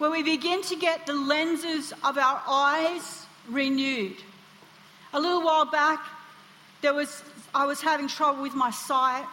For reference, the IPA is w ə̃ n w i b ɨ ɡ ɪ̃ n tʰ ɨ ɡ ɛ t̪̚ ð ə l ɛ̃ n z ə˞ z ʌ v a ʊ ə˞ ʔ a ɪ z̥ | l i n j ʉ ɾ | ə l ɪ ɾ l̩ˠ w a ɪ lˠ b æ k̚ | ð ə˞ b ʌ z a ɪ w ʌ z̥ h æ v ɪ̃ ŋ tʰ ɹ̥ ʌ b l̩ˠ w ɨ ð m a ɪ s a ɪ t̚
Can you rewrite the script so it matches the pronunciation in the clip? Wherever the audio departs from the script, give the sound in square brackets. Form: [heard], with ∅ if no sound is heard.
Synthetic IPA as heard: w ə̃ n w i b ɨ ɡ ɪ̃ n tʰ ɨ ɡ ɛ t̪̚ ð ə l ɛ̃ n z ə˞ z ʌ v a ʊ ə˞ ʔ a ɪ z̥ | [ɹ] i n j ʉ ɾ | ə l ɪ ɾ l̩ˠ w a ɪ lˠ b æ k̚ | ð ə˞ [w] ʌ z a ɪ w ʌ z̥ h æ v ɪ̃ ŋ tʰ ɹ̥ ʌ b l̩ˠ w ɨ ð m a ɪ s a ɪ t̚